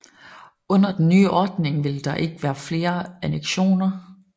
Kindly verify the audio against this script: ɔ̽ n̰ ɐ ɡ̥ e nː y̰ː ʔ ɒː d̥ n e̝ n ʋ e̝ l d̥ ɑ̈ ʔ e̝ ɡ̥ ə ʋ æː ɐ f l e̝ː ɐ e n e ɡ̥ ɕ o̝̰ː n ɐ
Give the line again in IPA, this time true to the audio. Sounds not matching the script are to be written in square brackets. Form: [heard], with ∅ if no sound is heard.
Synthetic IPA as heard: ɔ̽ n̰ ɐ [d̥] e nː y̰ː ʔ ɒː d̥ n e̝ [ŋ] ʋ e̝ l d̥ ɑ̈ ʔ e̝ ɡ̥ ə ʋ æː ɐ f l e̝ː ɐ [æ] n e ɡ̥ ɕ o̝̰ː n ɐ

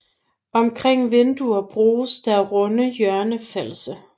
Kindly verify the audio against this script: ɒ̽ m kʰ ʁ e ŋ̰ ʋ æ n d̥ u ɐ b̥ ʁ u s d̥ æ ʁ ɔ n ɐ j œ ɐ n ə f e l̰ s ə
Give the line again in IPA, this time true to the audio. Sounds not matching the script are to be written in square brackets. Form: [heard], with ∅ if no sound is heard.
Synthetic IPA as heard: ɒ̽ m kʰ ʁ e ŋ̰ ʋ [e] n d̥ u ɐ b̥ ʁ [uː] s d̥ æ ʁ ɔ n [ə] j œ ɐ n ə f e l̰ s ə

